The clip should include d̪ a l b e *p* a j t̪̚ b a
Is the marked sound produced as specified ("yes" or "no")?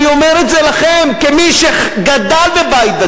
no